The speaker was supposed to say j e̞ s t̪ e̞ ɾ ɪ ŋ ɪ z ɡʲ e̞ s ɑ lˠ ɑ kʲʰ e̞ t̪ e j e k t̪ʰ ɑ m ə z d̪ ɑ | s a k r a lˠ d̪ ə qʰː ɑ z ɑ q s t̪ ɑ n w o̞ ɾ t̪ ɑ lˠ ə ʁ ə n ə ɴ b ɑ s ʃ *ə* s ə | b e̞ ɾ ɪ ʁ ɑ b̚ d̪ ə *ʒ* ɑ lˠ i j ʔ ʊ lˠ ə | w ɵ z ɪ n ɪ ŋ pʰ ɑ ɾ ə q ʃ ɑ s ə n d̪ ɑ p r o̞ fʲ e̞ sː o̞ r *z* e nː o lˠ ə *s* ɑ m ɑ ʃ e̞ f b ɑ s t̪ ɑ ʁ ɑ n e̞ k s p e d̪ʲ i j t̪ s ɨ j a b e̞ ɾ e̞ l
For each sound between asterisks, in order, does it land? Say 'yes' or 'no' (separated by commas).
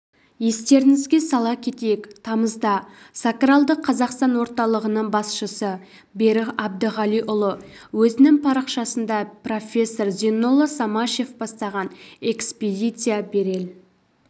yes, no, yes, yes